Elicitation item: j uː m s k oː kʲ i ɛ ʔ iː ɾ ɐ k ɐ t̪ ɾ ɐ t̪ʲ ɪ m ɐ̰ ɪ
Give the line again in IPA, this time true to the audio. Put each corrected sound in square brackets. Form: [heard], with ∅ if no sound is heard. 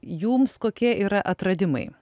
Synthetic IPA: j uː m s k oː kʲ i ɛ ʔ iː ɾ ɐ [ʔ] ɐ t̪ ɾ ɐ [d̪ʲ] ɪ m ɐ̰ ɪ